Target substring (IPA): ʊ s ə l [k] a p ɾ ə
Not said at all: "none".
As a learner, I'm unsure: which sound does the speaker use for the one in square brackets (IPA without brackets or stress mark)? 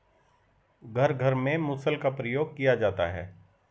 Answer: k